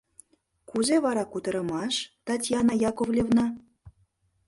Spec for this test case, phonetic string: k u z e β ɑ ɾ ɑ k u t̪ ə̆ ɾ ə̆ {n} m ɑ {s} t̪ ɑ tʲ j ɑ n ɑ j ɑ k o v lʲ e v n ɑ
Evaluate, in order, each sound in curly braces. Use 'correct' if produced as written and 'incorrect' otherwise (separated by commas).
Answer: incorrect, incorrect